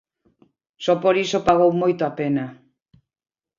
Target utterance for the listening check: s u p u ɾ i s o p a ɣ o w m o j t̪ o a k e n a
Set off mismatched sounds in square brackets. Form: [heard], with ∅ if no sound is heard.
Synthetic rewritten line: s [ɔ] p [o] ɾ i s o p a ɣ o w m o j t̪ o a [p] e n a